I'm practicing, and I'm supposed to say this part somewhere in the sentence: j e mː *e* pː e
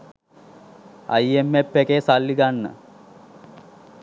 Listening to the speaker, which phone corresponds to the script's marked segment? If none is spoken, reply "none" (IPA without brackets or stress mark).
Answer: e